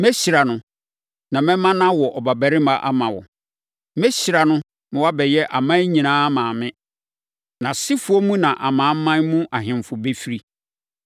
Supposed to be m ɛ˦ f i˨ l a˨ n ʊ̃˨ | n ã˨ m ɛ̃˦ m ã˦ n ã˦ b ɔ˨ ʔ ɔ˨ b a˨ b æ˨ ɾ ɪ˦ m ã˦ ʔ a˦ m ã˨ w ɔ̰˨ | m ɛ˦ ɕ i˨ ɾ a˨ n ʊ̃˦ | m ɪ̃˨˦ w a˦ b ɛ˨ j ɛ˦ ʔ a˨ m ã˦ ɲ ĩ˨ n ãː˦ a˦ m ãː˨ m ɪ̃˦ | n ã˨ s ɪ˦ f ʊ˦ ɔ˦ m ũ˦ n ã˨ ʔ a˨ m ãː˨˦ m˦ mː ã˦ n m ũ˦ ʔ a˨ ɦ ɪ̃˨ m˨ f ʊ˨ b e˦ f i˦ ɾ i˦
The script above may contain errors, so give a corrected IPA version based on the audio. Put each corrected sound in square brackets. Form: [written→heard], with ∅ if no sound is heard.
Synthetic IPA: m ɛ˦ [f→ɕ] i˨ [l→ɾ] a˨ n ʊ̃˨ | n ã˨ m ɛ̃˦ m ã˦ n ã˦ [b→w] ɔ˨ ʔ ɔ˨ b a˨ b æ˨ ɾ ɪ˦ m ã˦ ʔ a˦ m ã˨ w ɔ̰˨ | m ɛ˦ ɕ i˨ ɾ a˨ n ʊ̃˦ | m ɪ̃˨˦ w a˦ b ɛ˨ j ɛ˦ ʔ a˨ m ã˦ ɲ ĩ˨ n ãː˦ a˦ m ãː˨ m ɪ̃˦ | n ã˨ s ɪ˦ f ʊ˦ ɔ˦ m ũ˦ n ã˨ ʔ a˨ m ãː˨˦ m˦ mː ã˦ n m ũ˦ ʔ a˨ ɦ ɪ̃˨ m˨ f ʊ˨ b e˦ f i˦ ɾ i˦